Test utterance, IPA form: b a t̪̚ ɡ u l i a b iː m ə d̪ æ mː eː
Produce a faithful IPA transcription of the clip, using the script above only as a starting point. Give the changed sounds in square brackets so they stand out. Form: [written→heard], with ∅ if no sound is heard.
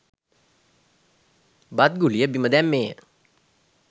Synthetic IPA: b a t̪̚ ɡ u l i [a→ə] b [iː→i] m ə d̪ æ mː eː